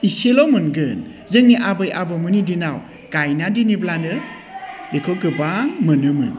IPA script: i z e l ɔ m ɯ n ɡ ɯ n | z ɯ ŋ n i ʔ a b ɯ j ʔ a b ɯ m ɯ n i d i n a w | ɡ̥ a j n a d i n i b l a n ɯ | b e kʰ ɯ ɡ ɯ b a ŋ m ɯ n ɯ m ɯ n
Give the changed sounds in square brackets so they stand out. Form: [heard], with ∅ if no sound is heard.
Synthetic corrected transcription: i [s] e l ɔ m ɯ n ɡ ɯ n | z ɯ ŋ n i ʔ a b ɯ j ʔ a b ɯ m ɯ n i d i n a w | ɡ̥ a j n a d i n i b l a n ɯ | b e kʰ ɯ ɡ ɯ b a ŋ m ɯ n ɯ m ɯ n